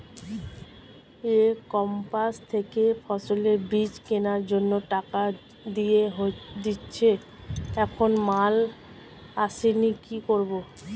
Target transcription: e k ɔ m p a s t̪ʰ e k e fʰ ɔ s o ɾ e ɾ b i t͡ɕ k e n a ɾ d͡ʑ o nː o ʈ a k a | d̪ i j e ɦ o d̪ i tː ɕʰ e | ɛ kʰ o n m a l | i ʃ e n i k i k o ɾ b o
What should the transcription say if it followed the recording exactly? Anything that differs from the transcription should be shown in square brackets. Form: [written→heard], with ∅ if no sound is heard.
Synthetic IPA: e k ɔ m p a s t̪ʰ e k e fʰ ɔ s o [ɾ→l] e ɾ b i t͡ɕ k e n a ɾ d͡ʑ o nː o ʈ a k a | d̪ i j e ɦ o d̪ i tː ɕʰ e | ɛ kʰ o n m a l | [i→a] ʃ e n i k i k o ɾ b o